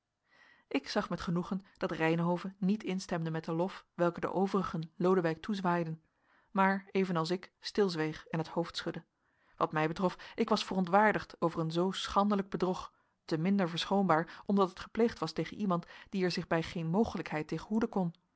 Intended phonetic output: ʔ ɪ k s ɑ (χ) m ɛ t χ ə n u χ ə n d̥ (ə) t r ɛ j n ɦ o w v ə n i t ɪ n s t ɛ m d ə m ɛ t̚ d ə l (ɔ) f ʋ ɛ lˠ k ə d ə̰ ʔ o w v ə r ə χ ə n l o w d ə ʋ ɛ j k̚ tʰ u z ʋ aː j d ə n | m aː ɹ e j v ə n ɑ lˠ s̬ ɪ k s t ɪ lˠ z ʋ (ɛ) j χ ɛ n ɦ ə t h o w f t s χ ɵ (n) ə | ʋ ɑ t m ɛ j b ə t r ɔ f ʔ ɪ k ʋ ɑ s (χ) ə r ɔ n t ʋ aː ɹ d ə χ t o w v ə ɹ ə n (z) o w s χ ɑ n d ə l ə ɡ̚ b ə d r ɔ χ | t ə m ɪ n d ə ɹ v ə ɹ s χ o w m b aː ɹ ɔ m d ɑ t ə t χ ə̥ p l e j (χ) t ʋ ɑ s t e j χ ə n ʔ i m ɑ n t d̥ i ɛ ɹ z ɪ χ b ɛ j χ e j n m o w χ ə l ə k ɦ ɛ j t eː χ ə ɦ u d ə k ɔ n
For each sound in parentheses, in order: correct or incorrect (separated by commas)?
correct, incorrect, correct, incorrect, incorrect, incorrect, correct, correct